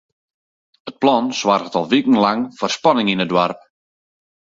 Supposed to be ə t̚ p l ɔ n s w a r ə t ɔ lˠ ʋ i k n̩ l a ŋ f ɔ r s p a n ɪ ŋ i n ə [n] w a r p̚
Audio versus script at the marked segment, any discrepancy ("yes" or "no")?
yes